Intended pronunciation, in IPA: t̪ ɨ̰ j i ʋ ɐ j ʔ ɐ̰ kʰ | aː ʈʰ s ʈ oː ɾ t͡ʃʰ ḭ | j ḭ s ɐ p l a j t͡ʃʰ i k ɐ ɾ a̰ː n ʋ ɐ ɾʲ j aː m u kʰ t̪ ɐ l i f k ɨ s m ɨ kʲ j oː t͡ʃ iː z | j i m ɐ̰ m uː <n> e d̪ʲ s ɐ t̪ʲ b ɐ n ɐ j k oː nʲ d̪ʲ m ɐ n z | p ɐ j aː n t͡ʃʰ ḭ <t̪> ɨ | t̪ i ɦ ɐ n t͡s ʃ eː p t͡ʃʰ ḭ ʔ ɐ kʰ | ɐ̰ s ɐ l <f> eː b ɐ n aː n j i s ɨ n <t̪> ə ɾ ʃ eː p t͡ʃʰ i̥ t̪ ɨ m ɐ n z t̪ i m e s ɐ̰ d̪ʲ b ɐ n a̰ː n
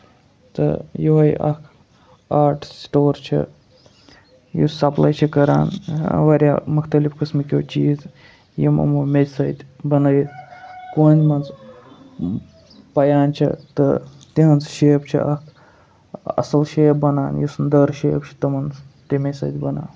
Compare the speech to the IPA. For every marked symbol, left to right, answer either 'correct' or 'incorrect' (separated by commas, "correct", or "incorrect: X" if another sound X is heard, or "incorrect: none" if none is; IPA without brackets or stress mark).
incorrect: m, correct, incorrect: ʃ, incorrect: d̪